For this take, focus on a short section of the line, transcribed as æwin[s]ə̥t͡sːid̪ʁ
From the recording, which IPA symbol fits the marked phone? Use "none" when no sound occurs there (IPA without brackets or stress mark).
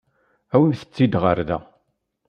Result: θ